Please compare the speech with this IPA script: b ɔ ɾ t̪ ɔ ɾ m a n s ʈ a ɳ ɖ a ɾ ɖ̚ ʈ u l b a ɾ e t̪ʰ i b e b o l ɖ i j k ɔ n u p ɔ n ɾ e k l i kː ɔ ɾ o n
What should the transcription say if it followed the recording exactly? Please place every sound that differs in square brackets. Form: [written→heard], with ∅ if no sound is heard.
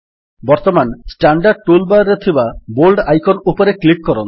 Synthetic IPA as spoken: b ɔ ɾ t̪ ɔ [ɾ→∅] m a n s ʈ a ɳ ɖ a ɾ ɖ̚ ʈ u l b a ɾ e t̪ʰ i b [e→a] b o l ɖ [i→a] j k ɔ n u p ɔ [n→∅] ɾ e k l i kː ɔ ɾ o n